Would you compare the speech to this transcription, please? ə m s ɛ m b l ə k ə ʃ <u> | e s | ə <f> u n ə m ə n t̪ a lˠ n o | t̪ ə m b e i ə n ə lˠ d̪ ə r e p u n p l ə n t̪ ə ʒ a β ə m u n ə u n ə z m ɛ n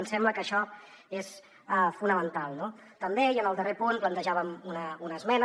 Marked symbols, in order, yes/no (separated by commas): no, yes